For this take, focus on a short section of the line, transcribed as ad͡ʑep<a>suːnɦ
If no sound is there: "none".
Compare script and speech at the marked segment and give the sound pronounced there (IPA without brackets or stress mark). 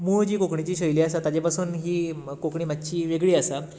a